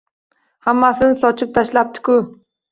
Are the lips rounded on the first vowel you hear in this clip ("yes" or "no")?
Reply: no